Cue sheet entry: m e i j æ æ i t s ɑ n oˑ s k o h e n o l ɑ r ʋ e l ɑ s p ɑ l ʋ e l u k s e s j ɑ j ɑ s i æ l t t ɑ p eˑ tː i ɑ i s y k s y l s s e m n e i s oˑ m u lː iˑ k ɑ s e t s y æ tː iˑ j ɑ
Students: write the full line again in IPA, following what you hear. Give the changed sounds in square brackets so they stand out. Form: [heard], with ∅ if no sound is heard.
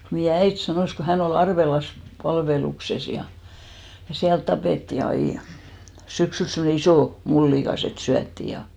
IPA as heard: m e i j æ æ i t s ɑ n oˑ s k o h [æ] n o l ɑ r ʋ e l ɑ s p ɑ l ʋ e l u k s e s j ɑ j ɑ s i æ l t t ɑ p eˑ tː i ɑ i s y k s y l s s e m n e i s oˑ m u lː iˑ k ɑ s e t s y æ tː iˑ j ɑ